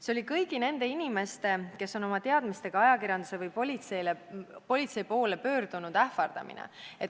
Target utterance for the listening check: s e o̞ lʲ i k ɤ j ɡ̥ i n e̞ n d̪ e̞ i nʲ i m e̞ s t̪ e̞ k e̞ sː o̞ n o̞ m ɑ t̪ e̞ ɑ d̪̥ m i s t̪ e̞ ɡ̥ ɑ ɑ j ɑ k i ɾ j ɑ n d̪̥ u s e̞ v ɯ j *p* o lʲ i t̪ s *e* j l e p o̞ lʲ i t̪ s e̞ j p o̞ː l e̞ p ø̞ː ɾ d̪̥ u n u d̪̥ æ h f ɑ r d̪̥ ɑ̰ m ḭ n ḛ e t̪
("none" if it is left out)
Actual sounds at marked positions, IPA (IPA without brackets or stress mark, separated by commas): p, e